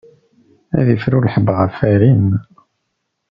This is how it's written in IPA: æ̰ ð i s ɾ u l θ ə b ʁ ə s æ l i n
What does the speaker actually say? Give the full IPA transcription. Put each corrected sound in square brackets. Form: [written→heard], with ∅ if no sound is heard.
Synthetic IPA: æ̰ ð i [s→f] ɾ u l [θ→ħ] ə b ʁ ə [s→f] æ [l→ɾ] i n